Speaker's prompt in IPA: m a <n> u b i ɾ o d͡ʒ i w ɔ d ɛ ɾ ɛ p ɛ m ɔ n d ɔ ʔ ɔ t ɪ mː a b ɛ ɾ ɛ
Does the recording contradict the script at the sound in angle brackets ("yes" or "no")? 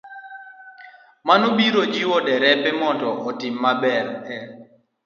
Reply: no